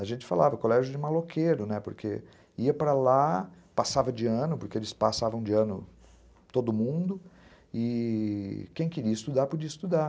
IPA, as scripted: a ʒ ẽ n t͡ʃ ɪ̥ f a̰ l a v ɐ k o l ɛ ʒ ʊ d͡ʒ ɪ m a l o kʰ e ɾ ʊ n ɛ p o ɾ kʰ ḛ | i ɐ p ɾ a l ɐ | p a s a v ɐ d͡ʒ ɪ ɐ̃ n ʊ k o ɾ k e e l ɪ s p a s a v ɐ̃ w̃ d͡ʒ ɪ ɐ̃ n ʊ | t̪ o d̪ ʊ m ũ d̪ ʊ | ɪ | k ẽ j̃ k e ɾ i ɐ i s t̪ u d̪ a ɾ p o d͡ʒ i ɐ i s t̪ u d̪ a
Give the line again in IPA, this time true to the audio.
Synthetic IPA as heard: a ʒ ẽ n t͡ʃ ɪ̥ f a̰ l a v ɐ k o l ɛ ʒ ʊ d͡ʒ ɪ m a l o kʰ e ɾ ʊ n ɛ p o ɾ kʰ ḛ | i ɐ p ɾ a l a | p a s a v ɐ d͡ʒ ɪ ɐ̃ n ʊ p o ɾ k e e l ɪ s p a s a v ɐ̃ w̃ d͡ʒ ɪ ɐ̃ n ʊ | t̪ o d̪ ʊ m ũ d̪ ʊ | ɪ | k ẽ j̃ k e ɾ i ɐ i s t̪ u d̪ a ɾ p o d͡ʒ i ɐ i s t̪ u d̪ a